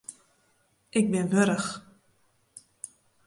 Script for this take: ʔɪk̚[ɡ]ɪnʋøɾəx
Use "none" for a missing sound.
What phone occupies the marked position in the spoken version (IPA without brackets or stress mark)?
b